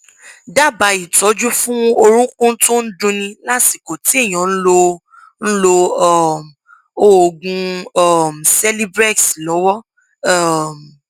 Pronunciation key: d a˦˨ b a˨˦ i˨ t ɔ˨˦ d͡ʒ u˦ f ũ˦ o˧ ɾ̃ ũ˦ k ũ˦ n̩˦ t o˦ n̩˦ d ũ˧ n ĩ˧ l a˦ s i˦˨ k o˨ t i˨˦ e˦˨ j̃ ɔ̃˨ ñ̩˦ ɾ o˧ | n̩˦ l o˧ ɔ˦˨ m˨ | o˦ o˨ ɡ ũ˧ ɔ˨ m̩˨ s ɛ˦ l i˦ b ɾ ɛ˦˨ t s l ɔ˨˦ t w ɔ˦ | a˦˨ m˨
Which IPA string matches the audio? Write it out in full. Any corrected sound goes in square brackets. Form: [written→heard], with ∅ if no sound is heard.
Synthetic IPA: d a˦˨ b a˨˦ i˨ t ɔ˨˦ d͡ʒ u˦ f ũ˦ o˧ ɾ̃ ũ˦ k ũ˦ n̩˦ t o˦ n̩˦ d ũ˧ n ĩ˧ l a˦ s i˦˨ k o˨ t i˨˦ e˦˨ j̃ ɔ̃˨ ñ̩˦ [ɾ→l] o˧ | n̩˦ l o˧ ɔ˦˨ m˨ | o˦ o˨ ɡ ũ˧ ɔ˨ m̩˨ s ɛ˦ l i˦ b ɾ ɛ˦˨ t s l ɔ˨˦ [t→∅] w ɔ˦ | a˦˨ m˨